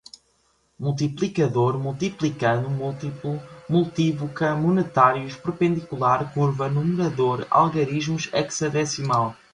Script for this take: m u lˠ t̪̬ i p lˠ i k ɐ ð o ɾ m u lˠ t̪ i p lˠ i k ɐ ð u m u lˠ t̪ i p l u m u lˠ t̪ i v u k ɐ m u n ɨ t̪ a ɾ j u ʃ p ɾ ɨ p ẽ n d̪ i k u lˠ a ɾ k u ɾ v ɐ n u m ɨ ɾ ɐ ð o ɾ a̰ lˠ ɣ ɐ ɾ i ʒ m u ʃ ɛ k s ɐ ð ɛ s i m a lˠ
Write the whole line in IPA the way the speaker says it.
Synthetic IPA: m u lˠ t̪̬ i p lˠ i k ɐ ð o ɾ m u lˠ t̪ i p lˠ i k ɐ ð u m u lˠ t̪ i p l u m u lˠ t̪ i v u k ɐ m u n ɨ t̪ a ɾ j u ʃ p ɾ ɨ p ẽ n d̪ i k u lˠ a ɾ k u ɾ v ɐ n u m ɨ ɾ ɐ ð o ɾ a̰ lˠ ɣ ɐ ɾ i ʒ m u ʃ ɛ k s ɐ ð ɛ s i m a lˠ